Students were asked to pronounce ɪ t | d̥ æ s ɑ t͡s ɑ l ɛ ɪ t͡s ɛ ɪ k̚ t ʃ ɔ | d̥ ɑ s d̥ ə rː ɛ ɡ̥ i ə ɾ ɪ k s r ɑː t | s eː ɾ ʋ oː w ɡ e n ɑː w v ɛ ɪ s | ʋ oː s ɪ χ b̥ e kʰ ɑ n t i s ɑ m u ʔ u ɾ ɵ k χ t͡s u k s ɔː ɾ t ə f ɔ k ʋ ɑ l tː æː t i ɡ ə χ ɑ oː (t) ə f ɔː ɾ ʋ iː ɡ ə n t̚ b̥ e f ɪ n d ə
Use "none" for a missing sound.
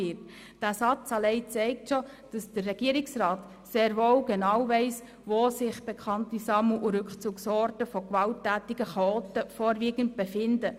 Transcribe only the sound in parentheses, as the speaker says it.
t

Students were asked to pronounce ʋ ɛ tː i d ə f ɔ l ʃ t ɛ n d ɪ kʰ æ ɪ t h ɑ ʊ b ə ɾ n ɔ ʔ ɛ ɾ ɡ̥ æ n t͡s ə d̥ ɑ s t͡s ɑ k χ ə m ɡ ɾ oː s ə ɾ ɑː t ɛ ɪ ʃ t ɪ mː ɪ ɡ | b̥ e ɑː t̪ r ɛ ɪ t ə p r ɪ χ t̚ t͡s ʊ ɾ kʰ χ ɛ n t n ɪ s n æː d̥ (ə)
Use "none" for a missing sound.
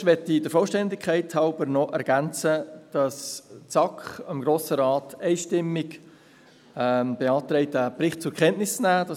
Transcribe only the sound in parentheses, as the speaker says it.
ɑ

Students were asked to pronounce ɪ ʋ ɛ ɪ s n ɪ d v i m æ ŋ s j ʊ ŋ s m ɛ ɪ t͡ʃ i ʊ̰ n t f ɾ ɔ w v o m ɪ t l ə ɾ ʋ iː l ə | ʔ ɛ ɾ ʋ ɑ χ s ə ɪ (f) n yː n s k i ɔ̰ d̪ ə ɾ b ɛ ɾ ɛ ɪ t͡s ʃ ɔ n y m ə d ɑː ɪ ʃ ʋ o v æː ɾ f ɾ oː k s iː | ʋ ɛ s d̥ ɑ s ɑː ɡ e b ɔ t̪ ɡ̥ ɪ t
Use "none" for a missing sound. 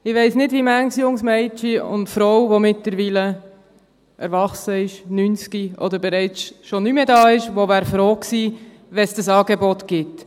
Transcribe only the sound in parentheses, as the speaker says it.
ʃ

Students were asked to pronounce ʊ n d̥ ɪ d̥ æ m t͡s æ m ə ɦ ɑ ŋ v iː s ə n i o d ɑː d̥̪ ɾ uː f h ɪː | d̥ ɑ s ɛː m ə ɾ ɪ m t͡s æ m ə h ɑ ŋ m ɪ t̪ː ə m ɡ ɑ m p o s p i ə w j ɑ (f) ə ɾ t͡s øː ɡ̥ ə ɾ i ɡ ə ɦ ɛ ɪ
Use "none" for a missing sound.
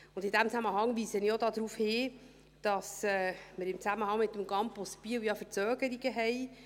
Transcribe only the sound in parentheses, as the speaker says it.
f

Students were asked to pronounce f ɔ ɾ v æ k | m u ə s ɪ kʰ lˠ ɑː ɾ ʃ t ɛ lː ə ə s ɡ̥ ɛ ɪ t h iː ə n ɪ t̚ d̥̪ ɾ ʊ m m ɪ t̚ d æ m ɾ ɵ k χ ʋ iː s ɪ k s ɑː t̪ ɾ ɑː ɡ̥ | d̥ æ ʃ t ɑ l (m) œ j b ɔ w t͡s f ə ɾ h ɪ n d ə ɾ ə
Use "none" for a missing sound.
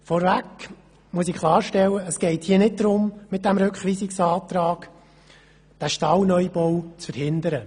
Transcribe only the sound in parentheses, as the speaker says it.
n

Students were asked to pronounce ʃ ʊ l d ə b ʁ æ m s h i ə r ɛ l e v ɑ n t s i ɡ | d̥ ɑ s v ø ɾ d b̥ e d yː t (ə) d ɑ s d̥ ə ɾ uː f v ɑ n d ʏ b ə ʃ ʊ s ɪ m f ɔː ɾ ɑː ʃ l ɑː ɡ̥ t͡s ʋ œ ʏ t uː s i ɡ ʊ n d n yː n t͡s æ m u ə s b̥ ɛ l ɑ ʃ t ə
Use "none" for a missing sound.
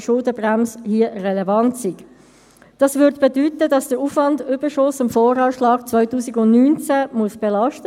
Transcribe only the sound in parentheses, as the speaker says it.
ə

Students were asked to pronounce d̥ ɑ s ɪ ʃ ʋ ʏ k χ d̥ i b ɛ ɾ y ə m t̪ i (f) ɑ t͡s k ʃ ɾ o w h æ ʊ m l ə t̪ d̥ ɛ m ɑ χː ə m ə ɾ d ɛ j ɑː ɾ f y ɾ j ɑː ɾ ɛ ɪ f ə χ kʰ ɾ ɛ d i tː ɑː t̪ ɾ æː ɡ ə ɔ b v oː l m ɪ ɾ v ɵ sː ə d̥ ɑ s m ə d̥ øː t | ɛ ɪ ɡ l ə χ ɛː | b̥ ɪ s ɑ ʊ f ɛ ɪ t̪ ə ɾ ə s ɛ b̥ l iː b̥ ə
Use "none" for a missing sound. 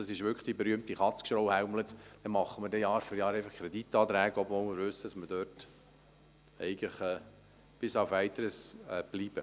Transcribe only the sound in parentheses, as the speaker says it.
χ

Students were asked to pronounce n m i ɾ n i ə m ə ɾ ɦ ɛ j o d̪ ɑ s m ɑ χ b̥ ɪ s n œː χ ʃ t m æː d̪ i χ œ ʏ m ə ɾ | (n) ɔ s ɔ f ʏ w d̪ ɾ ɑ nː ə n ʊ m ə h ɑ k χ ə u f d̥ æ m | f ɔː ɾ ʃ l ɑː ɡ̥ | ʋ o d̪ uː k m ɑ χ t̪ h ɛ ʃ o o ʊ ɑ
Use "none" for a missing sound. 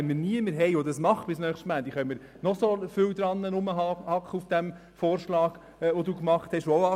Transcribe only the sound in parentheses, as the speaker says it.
n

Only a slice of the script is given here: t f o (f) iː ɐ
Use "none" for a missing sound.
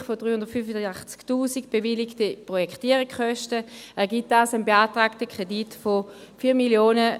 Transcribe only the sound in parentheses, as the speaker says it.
f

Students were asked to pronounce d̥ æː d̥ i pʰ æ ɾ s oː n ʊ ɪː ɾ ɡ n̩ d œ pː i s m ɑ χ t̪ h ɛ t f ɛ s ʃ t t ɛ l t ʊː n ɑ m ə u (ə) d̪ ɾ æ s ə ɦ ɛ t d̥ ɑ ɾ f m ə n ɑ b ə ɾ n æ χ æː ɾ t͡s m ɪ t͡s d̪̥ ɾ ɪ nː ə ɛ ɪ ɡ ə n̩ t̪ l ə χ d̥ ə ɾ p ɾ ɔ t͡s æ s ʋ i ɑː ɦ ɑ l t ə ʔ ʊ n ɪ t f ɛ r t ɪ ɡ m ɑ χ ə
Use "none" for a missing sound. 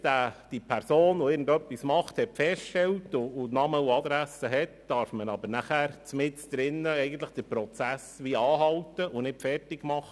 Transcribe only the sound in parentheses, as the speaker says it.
ɑ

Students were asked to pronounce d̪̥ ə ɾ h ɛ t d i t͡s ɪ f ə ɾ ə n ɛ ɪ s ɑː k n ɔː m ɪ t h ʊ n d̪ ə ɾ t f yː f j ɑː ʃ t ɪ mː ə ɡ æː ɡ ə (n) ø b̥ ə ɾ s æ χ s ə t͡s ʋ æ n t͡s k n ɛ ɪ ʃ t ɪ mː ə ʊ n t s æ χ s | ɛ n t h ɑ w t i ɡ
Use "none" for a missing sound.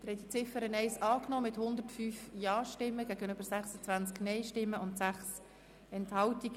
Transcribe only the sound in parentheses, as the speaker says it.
n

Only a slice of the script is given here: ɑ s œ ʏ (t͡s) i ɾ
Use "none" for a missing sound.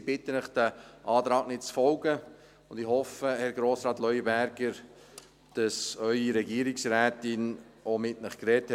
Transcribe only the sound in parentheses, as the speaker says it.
none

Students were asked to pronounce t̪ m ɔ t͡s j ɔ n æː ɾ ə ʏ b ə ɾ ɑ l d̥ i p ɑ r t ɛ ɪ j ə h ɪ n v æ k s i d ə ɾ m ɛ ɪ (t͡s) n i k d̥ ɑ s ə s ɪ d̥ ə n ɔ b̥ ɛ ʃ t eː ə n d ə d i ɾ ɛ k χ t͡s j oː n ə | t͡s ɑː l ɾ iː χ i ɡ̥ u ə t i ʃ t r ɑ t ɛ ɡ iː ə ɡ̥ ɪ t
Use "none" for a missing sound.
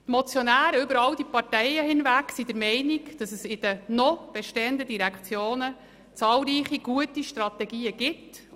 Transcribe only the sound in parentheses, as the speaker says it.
none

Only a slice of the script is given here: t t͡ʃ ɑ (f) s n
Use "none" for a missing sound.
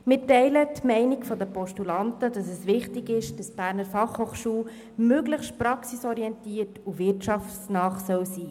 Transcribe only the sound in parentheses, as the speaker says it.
f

